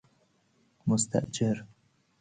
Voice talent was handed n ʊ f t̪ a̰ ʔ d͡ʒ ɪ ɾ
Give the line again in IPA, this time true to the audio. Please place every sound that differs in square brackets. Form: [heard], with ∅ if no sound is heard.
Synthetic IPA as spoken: [m] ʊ [s] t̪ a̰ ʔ d͡ʒ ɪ ɾ